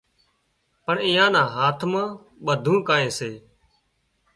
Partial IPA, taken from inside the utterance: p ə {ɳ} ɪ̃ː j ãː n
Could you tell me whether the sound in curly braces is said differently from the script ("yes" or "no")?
no